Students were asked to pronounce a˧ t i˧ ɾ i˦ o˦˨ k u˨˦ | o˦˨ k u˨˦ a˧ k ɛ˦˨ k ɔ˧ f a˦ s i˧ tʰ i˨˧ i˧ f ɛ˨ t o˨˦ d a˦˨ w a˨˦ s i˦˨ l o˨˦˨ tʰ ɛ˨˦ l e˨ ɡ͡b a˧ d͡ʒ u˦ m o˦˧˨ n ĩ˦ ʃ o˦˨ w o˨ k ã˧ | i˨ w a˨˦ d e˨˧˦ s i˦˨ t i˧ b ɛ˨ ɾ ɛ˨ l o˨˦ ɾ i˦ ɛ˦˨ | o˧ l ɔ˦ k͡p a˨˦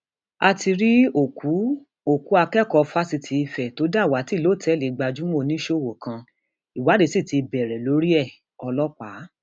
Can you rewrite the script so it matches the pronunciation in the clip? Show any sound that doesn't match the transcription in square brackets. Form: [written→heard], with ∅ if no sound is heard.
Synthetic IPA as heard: a˧ t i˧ ɾ i˦ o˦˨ k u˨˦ | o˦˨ k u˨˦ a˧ k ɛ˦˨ k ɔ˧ f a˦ s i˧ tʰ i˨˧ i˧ f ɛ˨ t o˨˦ d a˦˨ w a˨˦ [s→t] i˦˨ l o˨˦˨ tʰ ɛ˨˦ l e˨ ɡ͡b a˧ d͡ʒ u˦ m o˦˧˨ n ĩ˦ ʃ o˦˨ w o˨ k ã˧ | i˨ w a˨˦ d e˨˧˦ s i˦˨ t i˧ b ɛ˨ ɾ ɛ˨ l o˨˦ ɾ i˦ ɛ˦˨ | [o˧→ɔ˧] l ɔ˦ k͡p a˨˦